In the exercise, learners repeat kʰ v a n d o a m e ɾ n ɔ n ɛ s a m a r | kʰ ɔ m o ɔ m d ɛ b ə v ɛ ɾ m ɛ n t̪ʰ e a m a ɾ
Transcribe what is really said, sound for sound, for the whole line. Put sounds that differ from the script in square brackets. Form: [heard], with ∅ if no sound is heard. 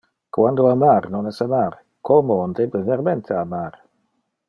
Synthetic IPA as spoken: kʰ [w] a n d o a m [a] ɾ n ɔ n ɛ s a m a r | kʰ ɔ m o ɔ [n] d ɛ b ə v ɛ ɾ m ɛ n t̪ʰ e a m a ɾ